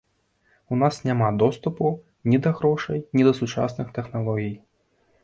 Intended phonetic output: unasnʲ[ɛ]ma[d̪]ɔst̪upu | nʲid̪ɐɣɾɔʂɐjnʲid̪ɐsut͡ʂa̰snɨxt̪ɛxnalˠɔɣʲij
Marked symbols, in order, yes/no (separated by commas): no, yes